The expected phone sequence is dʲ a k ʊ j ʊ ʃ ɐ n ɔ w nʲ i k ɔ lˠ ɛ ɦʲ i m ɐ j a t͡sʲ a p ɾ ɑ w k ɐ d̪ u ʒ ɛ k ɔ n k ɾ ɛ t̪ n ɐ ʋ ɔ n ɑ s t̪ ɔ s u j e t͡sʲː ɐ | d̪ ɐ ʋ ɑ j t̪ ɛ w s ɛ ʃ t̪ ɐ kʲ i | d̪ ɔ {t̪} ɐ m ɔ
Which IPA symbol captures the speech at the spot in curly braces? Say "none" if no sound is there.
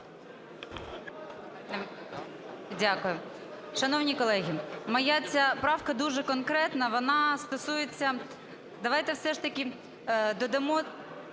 d̪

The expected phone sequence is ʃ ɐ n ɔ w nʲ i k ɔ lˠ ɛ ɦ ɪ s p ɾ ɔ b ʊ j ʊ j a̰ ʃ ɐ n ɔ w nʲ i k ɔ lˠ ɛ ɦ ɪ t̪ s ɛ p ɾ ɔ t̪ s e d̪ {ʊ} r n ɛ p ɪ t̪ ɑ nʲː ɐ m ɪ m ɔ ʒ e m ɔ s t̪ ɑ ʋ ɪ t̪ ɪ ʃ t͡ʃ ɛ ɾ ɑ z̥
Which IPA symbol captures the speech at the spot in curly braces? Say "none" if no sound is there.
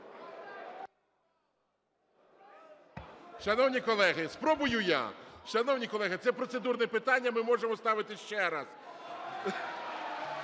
u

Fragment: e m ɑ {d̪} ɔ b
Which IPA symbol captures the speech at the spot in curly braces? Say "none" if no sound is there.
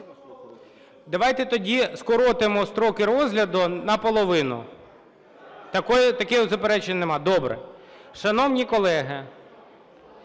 d̪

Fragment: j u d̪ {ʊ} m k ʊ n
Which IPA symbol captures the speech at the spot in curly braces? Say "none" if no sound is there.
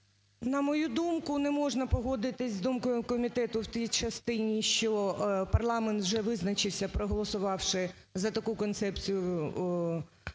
u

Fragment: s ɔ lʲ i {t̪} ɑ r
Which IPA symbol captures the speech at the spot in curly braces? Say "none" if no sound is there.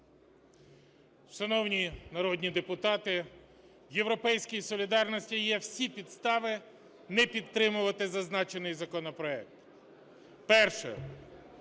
d̪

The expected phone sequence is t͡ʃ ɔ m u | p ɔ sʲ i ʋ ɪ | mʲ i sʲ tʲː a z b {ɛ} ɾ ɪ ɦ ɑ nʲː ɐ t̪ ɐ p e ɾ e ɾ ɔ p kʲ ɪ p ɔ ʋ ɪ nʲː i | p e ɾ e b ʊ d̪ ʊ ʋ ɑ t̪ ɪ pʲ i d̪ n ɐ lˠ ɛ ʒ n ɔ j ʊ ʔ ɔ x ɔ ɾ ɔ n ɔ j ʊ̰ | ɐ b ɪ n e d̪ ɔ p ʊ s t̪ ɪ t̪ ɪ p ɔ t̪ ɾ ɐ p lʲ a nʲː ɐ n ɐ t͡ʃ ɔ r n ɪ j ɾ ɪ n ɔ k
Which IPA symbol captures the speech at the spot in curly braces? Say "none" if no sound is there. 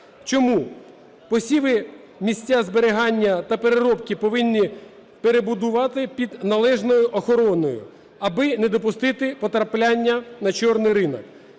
e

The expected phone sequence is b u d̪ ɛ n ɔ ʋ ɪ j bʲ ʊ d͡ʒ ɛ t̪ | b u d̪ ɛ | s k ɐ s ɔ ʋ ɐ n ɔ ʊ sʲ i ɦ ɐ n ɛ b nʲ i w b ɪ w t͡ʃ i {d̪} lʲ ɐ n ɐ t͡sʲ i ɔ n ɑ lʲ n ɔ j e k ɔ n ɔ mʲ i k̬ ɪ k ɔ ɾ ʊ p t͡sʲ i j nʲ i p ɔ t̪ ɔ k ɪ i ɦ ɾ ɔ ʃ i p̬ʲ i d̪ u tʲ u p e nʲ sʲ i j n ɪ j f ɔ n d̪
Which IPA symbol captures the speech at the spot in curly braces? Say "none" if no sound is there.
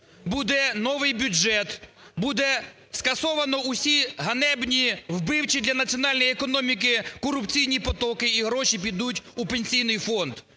d̪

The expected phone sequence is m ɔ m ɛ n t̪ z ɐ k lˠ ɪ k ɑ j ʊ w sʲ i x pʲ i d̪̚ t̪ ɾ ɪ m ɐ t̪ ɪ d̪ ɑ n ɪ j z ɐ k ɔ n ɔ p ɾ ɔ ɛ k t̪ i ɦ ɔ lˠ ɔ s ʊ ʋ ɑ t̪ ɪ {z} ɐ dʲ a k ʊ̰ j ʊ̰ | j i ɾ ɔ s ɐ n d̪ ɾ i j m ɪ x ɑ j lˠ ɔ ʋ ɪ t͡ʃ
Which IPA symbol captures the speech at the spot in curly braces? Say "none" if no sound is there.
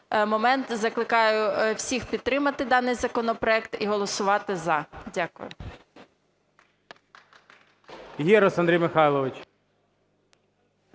z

